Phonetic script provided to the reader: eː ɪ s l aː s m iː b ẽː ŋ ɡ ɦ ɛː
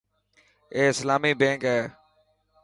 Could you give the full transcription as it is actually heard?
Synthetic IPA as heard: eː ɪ s l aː m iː b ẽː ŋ k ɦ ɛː